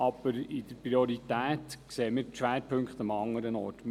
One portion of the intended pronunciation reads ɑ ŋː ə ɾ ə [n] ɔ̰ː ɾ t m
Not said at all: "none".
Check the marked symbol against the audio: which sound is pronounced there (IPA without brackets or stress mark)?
n